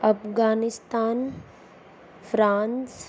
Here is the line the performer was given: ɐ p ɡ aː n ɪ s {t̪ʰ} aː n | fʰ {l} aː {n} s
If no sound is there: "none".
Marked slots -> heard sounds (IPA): t̪, ɾ, n

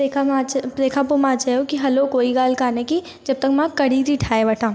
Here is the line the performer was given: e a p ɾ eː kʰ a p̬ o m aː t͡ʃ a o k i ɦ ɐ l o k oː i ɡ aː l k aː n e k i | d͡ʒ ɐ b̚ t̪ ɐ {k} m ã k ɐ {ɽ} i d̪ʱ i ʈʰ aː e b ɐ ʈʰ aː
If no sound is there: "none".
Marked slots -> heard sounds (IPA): k, ɽ

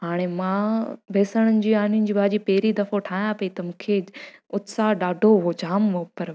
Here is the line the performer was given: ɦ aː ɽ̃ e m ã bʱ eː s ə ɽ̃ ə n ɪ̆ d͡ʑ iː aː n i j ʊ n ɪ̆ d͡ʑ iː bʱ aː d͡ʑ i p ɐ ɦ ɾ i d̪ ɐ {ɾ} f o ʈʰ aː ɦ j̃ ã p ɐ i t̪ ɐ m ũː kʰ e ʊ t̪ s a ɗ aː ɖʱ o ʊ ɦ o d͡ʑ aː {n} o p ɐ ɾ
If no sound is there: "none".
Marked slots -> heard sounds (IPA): none, m

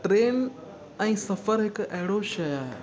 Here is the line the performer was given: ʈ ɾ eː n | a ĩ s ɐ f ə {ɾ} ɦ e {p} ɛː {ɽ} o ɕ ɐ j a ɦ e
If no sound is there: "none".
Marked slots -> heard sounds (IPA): ɾ, k, ɽ

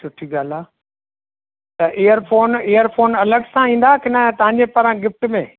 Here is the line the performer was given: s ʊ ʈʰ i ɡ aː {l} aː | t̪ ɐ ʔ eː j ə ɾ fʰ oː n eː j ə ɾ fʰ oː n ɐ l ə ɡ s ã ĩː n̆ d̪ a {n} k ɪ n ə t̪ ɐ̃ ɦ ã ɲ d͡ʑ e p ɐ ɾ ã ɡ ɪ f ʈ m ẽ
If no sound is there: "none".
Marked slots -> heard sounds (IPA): l, none

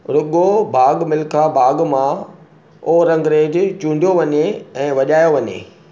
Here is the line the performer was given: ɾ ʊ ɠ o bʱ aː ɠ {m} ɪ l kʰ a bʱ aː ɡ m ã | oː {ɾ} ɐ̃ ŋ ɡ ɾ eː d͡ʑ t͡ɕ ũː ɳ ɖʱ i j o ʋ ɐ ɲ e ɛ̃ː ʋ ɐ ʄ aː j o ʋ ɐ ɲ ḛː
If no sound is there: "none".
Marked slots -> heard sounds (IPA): m, ɾ

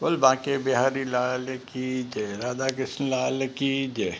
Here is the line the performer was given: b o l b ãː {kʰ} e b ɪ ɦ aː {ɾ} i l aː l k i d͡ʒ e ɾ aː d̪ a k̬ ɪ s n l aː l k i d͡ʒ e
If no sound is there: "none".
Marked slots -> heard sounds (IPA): k, ɾ

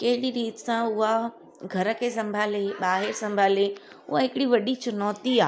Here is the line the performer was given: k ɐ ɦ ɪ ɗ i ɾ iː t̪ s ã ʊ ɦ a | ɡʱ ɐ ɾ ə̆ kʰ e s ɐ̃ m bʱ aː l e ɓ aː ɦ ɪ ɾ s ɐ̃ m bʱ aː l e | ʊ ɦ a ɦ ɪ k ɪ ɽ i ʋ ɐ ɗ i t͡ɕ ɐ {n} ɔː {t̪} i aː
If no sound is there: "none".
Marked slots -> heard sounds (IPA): n, t̪

